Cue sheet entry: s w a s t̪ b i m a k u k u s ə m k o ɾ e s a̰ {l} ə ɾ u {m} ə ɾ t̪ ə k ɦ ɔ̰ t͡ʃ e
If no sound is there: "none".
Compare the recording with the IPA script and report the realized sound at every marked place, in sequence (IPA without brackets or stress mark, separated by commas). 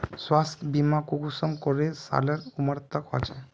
l, m